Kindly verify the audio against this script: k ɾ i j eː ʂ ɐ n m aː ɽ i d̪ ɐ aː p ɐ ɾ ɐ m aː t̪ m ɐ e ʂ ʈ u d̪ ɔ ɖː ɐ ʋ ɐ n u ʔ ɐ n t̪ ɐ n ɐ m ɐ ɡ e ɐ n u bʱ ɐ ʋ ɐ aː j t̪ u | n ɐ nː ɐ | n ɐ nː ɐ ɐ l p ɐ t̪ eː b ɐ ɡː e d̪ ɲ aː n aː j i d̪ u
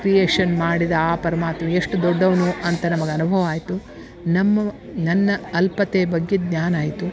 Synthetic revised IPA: k ɾ i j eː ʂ ɐ n m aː ɽ i d̪ ɐ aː p ɐ ɾ ɐ m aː t̪ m ɐ e ʂ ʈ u d̪ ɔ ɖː ɐ ʋ ɐ n u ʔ ɐ n t̪ ɐ n ɐ m ɐ ɡ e ɐ n u bʱ ɐ ʋ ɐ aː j t̪ u | n ɐ mː ɐ | n ɐ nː ɐ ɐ l p ɐ t̪ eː b ɐ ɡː e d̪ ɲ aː n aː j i t̪ u